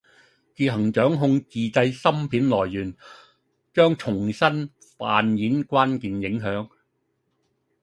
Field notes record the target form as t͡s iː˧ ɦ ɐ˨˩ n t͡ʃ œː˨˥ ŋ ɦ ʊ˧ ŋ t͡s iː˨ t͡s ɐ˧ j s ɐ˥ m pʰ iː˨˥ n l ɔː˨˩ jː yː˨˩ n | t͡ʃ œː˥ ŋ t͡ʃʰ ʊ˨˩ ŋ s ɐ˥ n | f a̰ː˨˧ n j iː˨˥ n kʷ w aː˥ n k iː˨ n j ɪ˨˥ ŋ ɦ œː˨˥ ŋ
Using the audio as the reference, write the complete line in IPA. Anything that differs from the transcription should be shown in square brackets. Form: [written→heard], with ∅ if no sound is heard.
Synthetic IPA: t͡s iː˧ ɦ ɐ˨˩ [n→ŋ] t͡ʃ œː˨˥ ŋ ɦ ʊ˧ ŋ t͡s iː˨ t͡s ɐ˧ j s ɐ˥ m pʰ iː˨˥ n l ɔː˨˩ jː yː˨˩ n | t͡ʃ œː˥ ŋ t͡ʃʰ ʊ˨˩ ŋ s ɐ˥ n | f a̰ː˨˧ n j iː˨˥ n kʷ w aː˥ n k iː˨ n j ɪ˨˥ ŋ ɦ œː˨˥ ŋ